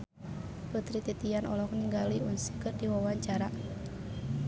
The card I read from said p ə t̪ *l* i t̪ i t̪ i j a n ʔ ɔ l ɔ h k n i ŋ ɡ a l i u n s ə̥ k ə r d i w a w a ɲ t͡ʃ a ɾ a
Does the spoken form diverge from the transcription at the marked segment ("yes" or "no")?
yes